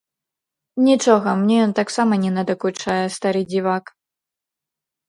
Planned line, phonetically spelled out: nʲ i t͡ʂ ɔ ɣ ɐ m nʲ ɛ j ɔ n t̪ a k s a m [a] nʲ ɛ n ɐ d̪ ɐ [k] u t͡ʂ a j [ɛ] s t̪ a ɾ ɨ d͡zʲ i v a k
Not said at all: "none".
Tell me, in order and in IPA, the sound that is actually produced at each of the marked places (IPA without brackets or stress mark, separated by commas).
ɐ, k, ɛ